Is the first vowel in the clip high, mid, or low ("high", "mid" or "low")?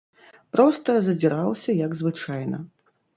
mid